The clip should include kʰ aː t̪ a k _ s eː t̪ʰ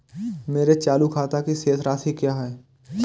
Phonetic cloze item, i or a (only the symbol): i